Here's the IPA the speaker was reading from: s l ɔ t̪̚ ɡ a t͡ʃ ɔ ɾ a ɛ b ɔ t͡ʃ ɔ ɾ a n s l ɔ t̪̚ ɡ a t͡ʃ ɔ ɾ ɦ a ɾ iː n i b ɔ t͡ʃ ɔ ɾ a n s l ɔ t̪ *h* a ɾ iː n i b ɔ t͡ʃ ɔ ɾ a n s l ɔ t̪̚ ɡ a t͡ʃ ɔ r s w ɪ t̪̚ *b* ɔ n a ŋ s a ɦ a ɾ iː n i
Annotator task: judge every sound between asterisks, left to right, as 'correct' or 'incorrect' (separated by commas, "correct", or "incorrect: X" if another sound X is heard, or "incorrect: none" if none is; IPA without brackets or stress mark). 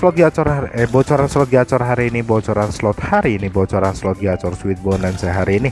correct, correct